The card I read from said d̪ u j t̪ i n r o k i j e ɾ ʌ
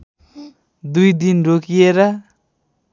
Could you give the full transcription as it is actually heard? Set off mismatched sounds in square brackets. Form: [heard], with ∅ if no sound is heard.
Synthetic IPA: d̪ u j [d̪] i n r o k i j e ɾ ʌ